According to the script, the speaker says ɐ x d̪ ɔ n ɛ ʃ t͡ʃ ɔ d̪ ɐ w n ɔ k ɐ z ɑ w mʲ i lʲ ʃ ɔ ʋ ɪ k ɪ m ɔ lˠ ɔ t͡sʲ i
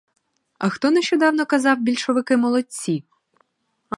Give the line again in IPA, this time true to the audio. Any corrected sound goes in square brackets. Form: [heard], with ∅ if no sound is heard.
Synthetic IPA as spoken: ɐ x [t̪] ɔ n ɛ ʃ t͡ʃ ɔ d̪ [ɑ] w n ɔ k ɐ z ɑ w [bʲ] i lʲ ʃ ɔ ʋ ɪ k ɪ m ɔ lˠ ɔ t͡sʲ i